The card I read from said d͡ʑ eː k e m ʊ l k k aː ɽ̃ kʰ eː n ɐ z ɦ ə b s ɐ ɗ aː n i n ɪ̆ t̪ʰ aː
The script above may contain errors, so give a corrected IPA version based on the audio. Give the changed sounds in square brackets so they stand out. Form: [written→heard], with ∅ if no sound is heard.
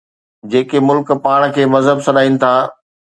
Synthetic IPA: d͡ʑ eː k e m ʊ l k [k→p] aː ɽ̃ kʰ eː [n→m] ɐ z ɦ ə b s ɐ ɗ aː [n→∅] i n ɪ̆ t̪ʰ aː